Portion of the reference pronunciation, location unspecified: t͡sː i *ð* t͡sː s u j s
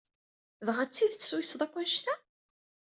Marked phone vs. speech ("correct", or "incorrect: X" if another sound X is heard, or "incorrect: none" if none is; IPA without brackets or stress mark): correct